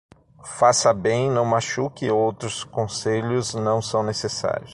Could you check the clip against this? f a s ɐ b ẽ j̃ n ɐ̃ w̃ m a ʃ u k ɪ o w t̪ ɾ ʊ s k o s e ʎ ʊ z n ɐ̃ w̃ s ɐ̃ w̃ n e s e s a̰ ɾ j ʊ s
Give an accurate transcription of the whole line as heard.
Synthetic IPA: f a s ɐ b ẽ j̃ n ɐ̃ w̃ m a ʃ u k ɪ o w t̪ ɾ ʊ s k õ s e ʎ ʊ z n ɐ̃ w̃ s ɐ̃ w̃ n e s e s a̰ ɾ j ʊ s